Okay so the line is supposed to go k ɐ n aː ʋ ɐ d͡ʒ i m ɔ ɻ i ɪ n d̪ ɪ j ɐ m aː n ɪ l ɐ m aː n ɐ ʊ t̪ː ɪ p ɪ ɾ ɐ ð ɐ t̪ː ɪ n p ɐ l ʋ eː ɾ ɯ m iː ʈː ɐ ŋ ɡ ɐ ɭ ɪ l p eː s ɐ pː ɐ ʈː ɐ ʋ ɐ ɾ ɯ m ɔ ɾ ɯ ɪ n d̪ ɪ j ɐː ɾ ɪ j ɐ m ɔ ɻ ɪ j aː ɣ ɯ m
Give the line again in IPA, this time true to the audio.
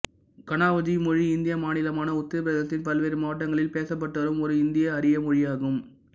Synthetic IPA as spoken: k ɐ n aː ʋ ɐ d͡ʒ i m ɔ ɻ i ɪ n d̪ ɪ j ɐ m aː n ɪ l ɐ m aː n ɐ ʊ t̪ː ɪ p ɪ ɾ ɐ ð ɐ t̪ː ɪ n p ɐ l ʋ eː ɾ ɯ m aː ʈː ɐ ŋ ɡ ɐ ɭ ɪ l p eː s ɐ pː ɐ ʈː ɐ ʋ ɐ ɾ ɯ m ɔ ɾ ɯ ɪ n d̪ ɪ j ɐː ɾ ɪ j ɐ m ɔ ɻ ɪ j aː ɣ ɯ m